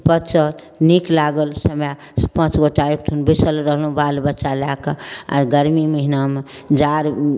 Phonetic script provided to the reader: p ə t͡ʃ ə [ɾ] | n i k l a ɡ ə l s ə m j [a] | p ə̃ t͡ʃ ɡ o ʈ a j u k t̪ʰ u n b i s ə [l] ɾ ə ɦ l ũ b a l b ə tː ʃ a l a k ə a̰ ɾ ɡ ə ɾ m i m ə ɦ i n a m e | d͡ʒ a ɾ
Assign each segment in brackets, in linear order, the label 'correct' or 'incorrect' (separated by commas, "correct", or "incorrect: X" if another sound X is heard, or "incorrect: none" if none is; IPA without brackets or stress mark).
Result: incorrect: l, correct, correct